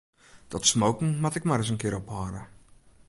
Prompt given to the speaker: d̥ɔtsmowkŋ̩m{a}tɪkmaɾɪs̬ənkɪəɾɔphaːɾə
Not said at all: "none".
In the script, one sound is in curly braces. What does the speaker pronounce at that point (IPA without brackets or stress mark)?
a